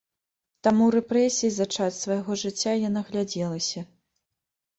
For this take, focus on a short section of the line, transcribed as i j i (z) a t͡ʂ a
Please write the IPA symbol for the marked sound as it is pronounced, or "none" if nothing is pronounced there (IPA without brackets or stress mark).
z